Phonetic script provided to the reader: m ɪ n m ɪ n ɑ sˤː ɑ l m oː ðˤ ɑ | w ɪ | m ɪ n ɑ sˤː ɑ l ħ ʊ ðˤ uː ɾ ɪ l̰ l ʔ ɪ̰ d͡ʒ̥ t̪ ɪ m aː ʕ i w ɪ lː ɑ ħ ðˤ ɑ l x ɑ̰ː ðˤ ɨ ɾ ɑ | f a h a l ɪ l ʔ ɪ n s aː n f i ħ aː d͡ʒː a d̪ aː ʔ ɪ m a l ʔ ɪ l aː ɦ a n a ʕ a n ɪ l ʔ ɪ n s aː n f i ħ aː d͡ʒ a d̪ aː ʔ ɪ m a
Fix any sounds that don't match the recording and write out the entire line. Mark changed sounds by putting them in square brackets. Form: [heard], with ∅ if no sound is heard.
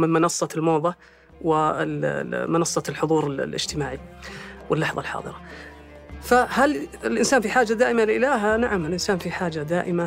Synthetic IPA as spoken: m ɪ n m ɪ n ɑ sˤː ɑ l m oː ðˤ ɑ | w ɪ | m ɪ n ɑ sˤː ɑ l ħ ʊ ðˤ uː ɾ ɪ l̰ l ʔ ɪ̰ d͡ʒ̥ t̪ ɪ m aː ʕ i w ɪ lː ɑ ħ ðˤ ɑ l [ħ] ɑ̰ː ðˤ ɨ ɾ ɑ | f a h a l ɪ l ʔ ɪ n s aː n f i ħ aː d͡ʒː a d̪ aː ʔ ɪ m a l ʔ ɪ l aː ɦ a n a ʕ a [m] ɪ l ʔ ɪ n s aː n f i ħ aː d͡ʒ a d̪ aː ʔ ɪ m a